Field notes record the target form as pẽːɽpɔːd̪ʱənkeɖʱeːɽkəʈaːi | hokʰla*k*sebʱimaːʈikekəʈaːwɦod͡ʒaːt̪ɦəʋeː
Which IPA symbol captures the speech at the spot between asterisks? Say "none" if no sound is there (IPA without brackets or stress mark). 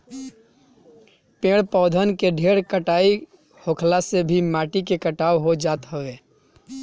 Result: none